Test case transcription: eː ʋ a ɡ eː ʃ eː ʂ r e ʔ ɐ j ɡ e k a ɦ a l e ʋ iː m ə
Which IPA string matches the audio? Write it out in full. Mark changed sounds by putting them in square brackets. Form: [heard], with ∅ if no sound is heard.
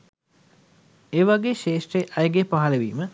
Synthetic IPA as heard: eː ʋ a ɡ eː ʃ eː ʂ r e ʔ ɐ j ɡ e [p] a ɦ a l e ʋ iː m ə